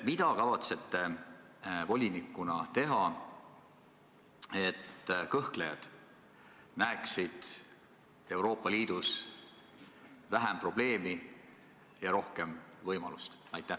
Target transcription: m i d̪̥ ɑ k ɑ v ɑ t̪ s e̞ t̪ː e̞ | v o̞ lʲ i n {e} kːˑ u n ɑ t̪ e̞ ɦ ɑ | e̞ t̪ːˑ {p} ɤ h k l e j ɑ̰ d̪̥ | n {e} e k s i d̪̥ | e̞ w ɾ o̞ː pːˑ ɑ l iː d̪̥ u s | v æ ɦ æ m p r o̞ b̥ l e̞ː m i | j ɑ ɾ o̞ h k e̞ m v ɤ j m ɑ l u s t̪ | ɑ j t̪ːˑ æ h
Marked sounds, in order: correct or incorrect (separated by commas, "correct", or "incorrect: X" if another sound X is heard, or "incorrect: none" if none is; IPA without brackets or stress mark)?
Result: incorrect: i, incorrect: k, incorrect: æ